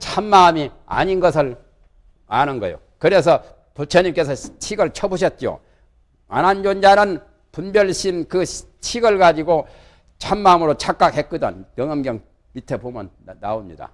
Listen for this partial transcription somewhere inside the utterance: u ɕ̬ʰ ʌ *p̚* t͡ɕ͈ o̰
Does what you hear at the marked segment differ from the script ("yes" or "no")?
yes